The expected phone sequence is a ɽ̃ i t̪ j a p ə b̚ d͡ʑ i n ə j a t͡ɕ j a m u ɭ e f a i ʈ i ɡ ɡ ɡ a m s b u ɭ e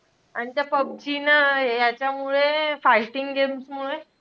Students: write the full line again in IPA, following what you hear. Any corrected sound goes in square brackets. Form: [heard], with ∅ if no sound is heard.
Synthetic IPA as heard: a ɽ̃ i t̪ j a p ə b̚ d͡ʑ i n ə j a t͡ɕ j a m u ɭ e f a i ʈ i [ŋ] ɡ ɡ [e] m s [m] u ɭ e